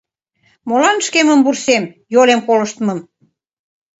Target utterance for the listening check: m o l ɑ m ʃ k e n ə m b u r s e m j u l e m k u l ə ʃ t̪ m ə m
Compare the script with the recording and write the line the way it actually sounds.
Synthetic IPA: m o l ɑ n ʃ k e m ə m b u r s e m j o l e m k o l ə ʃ t̪ m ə m